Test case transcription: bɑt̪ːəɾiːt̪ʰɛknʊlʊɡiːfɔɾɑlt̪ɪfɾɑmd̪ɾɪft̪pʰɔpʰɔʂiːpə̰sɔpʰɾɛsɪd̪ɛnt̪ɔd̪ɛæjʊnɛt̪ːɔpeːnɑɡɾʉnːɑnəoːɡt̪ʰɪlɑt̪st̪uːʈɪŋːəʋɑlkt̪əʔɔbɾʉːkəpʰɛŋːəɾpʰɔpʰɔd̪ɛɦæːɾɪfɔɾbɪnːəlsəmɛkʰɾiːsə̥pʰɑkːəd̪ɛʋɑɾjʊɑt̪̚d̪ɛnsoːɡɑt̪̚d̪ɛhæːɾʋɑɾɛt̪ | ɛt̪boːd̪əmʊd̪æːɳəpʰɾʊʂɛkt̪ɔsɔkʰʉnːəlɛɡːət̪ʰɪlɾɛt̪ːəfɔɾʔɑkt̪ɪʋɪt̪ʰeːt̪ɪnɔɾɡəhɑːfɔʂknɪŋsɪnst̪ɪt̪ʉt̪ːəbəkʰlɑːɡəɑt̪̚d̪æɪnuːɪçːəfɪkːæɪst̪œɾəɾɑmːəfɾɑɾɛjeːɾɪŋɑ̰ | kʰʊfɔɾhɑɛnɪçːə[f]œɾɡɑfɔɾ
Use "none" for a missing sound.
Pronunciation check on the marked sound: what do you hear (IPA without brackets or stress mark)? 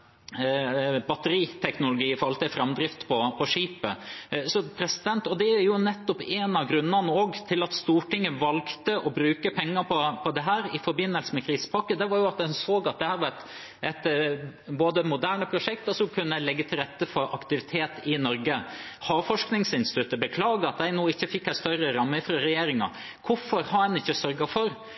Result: s